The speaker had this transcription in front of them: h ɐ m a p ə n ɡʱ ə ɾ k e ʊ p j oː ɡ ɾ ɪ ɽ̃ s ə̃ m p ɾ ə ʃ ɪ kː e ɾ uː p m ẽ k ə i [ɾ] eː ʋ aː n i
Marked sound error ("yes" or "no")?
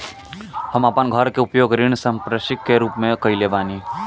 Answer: yes